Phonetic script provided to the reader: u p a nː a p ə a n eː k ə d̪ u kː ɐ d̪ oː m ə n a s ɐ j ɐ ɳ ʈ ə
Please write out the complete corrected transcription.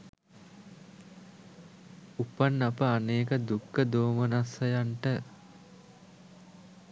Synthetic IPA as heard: u p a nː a p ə a n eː k ə d̪ u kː ə d̪ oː m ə n a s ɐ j a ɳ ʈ ə